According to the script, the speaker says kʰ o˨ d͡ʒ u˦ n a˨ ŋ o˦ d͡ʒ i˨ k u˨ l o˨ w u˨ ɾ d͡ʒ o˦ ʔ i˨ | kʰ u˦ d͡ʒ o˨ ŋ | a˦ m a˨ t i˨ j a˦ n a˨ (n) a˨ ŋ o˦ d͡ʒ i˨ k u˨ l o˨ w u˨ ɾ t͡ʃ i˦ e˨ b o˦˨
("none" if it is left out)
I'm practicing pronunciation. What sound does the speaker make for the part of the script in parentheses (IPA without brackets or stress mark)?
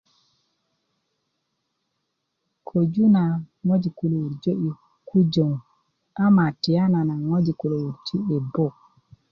n